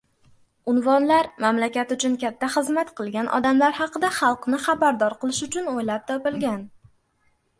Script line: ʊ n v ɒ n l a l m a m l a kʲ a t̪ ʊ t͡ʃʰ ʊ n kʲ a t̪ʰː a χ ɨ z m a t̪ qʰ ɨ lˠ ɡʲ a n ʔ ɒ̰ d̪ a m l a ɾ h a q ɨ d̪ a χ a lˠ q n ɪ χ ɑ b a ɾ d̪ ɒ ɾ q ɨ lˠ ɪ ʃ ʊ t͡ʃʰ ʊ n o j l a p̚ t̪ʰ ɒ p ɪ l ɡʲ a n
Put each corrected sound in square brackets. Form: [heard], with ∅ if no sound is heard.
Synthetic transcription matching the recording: ʊ n v ɒ n l a [ɾ] m a m l a kʲ a t̪ ʊ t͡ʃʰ ʊ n kʲ a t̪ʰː a χ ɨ z m a t̪ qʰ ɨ lˠ ɡʲ a n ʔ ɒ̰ d̪ a m l a ɾ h [ɑ] q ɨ d̪ a χ [ɑ] lˠ q n ɪ χ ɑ b a ɾ d̪ ɒ ɾ q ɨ lˠ ɪ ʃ ʊ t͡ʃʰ ʊ n o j l a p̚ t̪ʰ ɒ p ɪ l ɡʲ a n